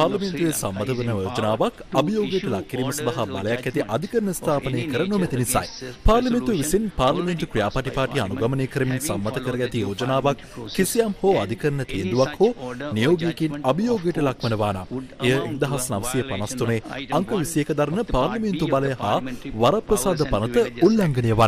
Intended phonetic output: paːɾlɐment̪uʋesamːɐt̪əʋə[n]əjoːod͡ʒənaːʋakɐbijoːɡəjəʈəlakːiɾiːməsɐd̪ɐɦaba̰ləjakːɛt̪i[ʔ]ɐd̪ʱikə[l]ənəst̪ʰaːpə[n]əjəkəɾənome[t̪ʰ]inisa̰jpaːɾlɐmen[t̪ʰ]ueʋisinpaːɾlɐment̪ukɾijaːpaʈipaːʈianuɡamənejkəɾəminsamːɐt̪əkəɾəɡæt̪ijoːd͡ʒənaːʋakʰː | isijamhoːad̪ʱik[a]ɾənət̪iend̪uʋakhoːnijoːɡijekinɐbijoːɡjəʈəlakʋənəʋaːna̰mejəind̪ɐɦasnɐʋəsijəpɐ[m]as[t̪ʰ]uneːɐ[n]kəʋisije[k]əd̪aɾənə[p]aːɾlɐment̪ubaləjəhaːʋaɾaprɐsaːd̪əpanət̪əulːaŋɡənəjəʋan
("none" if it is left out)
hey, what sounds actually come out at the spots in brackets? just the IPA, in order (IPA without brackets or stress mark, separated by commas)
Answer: n, ʔ, ɾ, n, t̪, t̪, ə, n, t̪, ŋ, k, p